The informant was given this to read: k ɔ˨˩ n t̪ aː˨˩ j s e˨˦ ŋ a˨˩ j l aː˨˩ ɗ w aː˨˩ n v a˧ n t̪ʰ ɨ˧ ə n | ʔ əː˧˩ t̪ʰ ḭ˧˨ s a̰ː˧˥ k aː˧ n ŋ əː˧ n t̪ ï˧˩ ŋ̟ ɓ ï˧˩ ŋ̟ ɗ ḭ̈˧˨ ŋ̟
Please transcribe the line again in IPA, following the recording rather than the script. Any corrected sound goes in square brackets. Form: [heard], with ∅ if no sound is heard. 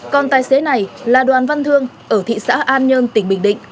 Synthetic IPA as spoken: k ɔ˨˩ n t̪ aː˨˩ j s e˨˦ [n] a˨˩ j l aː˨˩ ɗ w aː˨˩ n v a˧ n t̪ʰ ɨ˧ ə [ŋ] | ʔ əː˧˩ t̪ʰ ḭ˧˨ s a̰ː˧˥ [ʔ] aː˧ n [ɲ] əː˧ n t̪ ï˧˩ ŋ̟ ɓ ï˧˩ ŋ̟ ɗ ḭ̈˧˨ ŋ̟